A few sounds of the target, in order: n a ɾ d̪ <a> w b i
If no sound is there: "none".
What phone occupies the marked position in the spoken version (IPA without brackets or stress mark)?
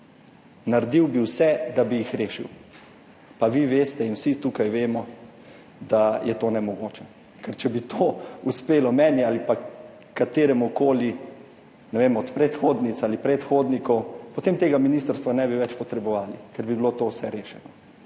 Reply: i